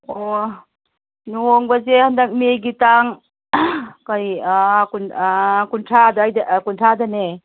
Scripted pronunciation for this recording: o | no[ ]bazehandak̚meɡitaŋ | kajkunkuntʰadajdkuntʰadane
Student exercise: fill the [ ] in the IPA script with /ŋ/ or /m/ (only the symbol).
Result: ŋ